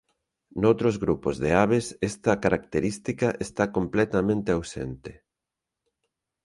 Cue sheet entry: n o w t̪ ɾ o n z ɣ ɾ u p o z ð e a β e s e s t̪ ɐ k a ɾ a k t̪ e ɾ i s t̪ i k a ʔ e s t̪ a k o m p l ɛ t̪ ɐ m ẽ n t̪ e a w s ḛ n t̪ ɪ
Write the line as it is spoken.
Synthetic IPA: n o w t̪ ɾ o z ɣ ɾ u p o z ð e a β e s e s t̪ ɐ k a ɾ a k t̪ e ɾ i s t̪ i k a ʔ e s t̪ a k o m p l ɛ t̪ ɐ m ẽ n t̪ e a w s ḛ n t̪ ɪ